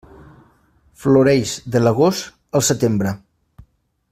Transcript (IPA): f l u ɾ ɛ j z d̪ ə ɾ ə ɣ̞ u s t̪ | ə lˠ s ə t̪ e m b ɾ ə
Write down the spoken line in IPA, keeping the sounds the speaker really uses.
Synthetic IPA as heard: f l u ɾ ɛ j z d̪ ə l ə ɣ̞ o s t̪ | ə lˠ s ə t̪ e m b ɾ ə

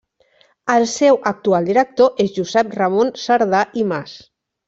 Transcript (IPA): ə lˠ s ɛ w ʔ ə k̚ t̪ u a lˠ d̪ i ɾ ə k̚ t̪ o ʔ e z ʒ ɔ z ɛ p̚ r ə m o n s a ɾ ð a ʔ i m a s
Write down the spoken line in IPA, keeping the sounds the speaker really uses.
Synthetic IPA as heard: ə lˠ s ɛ w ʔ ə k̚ t̪ u a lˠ d̪ i ɾ ə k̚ t̪ o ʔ e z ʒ u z ɛ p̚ r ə m o n s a ɾ ð a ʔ i m a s

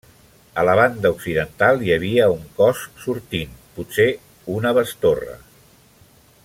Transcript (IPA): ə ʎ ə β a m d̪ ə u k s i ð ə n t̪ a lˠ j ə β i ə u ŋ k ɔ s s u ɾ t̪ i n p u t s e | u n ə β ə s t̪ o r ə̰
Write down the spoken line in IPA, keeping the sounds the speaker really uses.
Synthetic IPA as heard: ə l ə β a n d̪ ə u k s i ð ə n t̪ a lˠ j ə β i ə u ŋ k ɔ s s u ɾ t̪ i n p u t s e | u n ə β ə s t̪ o r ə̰

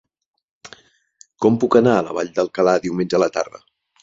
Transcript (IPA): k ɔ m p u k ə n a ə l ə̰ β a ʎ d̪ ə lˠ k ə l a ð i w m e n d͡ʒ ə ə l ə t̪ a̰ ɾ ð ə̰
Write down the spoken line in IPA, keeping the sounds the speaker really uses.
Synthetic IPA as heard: k ɔ m p u k ə n a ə l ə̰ β a ʎ d̪ ə lˠ k ə l a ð i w m e n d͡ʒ ə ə l ə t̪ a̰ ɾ ð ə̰

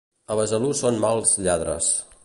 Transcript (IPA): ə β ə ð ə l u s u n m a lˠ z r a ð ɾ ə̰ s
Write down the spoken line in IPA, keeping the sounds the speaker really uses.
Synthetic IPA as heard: ə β ə z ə l u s o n m a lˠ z ʎ a ð ɾ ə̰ s

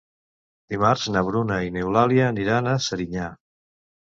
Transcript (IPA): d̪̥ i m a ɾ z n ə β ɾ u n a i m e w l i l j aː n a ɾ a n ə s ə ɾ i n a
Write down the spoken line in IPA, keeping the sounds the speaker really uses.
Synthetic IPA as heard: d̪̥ i m a ɾ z n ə β ɾ u n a i n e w l a l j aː n i ɾ a n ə s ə ɾ i ɲ a

